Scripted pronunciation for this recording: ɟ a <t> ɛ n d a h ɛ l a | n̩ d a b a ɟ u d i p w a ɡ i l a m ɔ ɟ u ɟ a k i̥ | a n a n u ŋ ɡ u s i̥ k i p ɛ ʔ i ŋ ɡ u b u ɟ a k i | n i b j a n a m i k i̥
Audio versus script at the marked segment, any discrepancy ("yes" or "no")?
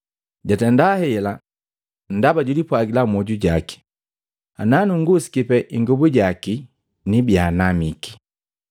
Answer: no